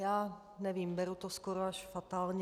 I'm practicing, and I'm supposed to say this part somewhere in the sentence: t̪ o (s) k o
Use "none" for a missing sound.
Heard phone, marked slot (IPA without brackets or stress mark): s